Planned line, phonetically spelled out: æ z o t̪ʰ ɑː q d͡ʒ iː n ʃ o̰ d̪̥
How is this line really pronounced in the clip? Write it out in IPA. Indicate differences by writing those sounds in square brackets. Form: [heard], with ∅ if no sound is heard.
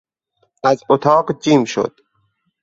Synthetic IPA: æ z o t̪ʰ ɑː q d͡ʒ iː [m] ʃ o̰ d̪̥